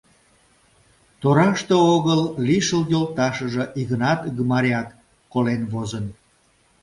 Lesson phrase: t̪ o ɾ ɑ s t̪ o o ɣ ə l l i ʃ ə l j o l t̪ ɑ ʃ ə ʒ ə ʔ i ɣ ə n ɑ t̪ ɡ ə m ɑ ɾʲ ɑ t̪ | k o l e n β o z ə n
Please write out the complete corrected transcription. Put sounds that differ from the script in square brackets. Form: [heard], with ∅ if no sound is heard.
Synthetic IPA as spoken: t̪ o ɾ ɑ [ʃ] t̪ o o ɣ ə l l i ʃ ə l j o l t̪ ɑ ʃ ə ʒ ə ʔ i ɣ ə n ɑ t̪ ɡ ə m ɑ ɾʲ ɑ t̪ | k o l e n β o z ə n